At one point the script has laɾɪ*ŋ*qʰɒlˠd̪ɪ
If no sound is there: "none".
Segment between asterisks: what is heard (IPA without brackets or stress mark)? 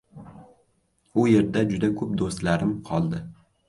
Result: m